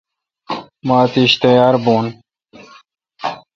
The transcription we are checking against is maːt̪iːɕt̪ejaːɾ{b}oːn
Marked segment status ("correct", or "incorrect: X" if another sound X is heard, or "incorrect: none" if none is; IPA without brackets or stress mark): correct